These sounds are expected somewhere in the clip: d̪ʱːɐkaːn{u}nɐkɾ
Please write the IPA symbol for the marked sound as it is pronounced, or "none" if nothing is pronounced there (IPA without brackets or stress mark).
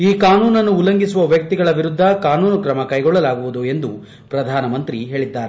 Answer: uː